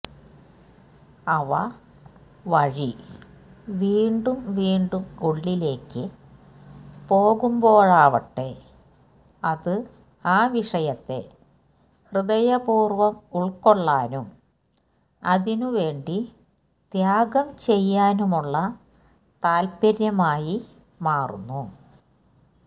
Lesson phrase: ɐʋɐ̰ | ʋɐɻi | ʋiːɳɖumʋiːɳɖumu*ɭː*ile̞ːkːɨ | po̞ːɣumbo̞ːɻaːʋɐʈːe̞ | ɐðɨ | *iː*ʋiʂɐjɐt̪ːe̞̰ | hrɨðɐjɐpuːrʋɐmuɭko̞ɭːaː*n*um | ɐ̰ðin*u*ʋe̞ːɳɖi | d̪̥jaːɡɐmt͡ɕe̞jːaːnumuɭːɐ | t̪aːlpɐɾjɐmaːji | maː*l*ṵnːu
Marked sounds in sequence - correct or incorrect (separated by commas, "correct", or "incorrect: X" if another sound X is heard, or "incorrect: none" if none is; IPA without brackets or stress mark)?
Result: correct, incorrect: aː, correct, correct, incorrect: r